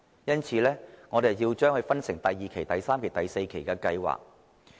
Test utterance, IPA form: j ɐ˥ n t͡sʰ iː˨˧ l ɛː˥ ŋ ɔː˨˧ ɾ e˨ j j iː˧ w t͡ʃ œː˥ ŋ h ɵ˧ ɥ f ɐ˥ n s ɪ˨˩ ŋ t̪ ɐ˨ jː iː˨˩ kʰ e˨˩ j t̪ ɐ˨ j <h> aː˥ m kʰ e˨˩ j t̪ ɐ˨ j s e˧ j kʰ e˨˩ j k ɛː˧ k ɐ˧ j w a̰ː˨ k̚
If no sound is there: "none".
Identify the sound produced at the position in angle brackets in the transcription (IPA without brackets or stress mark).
s